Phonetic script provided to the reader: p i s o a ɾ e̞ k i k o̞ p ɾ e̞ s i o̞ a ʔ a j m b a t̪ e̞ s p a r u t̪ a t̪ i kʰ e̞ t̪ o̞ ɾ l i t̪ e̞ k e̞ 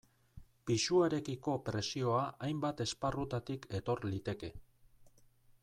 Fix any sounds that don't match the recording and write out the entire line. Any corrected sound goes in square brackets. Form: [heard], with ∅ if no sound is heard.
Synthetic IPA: p i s [u] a ɾ e̞ k i k o̞ p ɾ e̞ s i o̞ a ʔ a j m b a t̪ e̞ s p a r u t̪ a t̪ i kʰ e̞ t̪ o̞ ɾ l i t̪ e̞ k e̞